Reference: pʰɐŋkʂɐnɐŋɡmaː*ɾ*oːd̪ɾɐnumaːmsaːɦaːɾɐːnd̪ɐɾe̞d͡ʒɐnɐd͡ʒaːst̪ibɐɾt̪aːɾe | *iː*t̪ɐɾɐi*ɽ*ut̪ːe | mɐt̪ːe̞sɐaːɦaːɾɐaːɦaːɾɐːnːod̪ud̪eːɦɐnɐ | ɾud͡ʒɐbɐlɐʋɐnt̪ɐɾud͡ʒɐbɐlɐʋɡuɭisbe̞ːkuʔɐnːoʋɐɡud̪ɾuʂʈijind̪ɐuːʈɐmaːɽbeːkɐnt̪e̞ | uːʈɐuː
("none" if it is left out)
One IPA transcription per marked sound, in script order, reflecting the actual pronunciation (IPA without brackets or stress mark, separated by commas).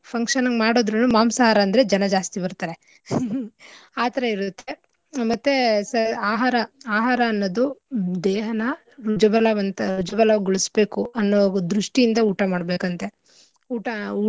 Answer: ɽ, aː, ɾ